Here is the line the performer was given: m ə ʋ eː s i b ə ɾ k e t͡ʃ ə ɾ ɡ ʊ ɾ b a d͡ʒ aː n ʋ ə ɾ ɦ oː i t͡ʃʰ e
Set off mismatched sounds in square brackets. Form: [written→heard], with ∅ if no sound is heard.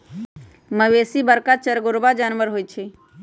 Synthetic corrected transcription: m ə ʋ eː s i b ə ɾ k [e→a] t͡ʃ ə ɾ ɡ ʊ ɾ b a d͡ʒ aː n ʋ ə ɾ ɦ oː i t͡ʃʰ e